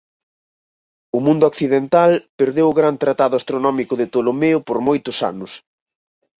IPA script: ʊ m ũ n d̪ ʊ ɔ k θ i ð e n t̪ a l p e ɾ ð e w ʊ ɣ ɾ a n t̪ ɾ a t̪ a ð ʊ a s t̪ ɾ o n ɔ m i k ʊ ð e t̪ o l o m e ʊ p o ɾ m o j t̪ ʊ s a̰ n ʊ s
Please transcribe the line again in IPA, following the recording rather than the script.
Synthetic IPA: ʊ m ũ n d̪ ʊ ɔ k θ i ð e n t̪ a l p e ɾ ð e w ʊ ɣ ɾ a n t̪ ɾ a t̪ a ð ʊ a s t̪ ɾ o n ɔ m i k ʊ ð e t̪ o l o m e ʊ p o ɾ m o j t̪ ʊ s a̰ n ʊ s